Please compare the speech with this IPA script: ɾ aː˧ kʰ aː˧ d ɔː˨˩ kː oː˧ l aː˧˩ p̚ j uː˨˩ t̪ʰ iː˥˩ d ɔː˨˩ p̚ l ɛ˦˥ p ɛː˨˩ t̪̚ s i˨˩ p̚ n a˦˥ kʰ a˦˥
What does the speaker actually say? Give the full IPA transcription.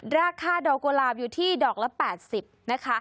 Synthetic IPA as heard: ɾ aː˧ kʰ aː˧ d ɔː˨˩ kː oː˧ l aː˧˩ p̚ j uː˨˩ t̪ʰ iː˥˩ d ɔː˨˩ k̚ l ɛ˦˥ p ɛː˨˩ t̪̚ s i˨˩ p̚ n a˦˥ kʰ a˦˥

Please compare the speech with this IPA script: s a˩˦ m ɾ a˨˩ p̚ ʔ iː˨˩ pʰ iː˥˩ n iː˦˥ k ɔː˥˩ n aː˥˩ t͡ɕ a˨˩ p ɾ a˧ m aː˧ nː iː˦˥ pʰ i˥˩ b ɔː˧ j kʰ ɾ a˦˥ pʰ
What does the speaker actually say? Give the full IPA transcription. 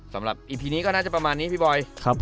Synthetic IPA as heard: s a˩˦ m ɾ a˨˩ p̚ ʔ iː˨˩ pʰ iː˧ n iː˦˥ k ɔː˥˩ n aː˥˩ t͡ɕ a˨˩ p ɾ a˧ m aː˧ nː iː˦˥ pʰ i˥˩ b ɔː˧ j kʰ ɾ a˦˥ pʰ

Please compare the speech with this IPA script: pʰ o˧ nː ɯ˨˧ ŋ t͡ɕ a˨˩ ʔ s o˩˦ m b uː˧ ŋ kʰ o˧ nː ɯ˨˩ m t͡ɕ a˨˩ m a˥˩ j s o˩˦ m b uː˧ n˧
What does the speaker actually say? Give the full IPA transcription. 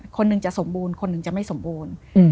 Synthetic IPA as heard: kʰ o˧ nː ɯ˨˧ ŋ t͡ɕ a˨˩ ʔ s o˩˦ m b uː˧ n kʰ o˧ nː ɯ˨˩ ŋ t͡ɕ a˨˩ m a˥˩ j s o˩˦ m b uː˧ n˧

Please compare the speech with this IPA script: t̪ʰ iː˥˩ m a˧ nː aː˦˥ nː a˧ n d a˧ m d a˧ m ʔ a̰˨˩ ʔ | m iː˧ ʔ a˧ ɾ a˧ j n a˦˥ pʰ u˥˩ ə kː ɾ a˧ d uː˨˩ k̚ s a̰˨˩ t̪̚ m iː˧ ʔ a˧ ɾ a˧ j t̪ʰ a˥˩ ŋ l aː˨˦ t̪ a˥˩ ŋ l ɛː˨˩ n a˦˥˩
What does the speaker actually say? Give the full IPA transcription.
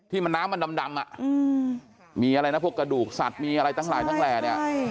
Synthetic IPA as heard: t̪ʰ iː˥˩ m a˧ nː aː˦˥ mː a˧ n d a˧ m d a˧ m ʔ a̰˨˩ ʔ | m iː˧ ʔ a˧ ɾ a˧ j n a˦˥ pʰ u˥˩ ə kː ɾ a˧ d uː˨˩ k̚ s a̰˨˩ t̪̚ m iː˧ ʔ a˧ ɾ a˧ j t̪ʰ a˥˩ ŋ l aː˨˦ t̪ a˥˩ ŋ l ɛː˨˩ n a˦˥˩

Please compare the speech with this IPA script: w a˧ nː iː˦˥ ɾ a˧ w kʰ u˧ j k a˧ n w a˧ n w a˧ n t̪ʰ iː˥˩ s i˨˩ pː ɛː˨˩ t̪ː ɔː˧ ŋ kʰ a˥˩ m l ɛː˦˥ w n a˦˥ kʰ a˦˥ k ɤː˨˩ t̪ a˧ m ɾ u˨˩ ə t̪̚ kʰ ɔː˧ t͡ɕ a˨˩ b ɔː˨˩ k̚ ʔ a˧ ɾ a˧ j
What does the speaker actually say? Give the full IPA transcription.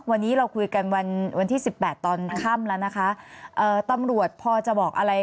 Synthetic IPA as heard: w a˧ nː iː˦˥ ɾ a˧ w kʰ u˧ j k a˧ n w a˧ n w a˧ n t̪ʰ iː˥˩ s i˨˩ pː ɛː˨˩ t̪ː ɔː˧ n kʰ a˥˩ m l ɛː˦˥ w n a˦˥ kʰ a˦˥ ʔ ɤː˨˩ t̪ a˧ m ɾ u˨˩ ə t̪̚ pʰ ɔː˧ t͡ɕ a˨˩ b ɔː˨˩ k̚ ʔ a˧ ɾ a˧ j

